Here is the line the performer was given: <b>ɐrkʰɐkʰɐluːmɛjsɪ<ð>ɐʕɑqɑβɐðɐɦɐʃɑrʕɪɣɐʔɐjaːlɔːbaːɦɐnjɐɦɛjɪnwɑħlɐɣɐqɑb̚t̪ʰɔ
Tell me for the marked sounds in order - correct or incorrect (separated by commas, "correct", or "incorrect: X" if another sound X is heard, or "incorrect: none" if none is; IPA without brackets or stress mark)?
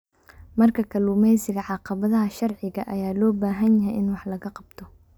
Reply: incorrect: m, incorrect: ɣ